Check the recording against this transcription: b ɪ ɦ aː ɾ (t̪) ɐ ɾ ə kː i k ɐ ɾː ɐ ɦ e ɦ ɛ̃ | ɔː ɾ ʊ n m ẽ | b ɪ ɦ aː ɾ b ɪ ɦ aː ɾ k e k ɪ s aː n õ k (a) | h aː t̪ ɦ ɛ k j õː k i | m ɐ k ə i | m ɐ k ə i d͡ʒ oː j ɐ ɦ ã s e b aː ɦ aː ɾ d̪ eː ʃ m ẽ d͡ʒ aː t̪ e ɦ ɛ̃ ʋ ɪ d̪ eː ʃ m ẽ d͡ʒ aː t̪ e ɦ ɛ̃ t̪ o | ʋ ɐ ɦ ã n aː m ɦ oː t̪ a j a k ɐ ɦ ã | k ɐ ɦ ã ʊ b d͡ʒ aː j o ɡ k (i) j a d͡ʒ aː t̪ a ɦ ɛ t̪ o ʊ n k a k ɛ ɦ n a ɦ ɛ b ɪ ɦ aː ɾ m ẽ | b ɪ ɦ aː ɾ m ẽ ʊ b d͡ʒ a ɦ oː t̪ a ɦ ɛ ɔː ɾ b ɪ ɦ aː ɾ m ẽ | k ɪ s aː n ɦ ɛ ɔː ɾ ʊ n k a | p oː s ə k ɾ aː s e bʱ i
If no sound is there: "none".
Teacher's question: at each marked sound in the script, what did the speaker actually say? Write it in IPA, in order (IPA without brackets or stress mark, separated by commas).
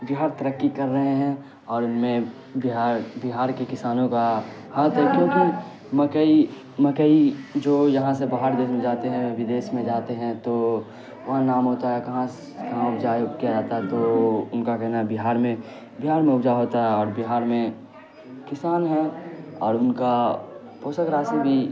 t̪, a, i